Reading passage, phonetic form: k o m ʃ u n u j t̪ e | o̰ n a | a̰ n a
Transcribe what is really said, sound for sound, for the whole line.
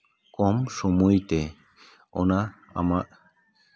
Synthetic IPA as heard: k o m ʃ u m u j t̪ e | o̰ n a | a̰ m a